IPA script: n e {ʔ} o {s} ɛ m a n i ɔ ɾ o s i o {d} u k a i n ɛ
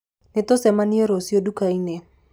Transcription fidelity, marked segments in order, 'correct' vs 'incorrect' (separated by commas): incorrect, correct, correct